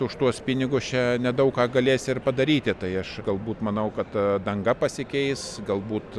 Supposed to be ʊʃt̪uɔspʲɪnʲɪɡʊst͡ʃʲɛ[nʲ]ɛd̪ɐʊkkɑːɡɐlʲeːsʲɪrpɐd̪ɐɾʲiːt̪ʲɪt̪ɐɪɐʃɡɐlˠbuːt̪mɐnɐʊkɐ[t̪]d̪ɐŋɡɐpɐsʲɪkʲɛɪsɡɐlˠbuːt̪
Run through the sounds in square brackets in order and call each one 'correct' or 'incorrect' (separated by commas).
correct, correct